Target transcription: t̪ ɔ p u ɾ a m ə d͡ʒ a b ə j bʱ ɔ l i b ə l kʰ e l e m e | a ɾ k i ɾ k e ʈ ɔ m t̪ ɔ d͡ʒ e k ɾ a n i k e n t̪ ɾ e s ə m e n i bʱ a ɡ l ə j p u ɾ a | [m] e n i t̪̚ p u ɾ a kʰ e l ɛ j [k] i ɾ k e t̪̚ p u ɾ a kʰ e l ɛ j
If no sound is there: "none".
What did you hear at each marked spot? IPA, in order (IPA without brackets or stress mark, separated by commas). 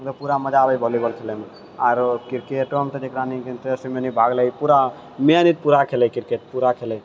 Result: m, k